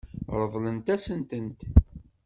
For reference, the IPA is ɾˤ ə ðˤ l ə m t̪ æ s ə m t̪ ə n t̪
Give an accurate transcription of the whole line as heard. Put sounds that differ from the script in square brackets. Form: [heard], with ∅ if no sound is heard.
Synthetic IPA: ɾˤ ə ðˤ l ə [n] t̪ æ s ə [n] t̪ ə n t̪